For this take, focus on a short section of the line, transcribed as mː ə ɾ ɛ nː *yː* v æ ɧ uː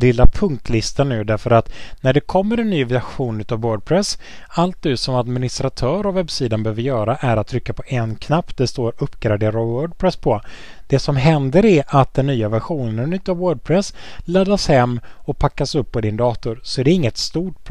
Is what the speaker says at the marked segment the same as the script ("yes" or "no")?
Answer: yes